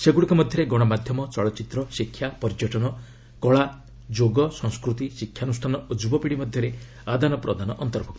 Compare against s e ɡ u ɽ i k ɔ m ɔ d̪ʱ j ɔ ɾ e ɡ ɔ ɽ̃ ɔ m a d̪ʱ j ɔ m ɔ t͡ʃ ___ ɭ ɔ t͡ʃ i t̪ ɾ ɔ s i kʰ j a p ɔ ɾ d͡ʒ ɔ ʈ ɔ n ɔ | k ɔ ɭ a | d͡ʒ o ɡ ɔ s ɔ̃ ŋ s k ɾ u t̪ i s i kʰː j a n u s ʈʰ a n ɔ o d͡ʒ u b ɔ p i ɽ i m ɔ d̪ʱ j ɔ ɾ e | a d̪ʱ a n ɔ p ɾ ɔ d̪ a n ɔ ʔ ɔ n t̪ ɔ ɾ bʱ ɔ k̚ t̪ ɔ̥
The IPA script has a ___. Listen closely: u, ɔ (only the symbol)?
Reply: ɔ